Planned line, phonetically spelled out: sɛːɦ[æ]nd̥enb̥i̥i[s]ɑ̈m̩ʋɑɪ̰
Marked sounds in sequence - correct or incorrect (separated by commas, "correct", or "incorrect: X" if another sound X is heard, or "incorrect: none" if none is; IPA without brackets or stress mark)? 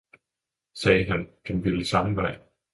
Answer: correct, correct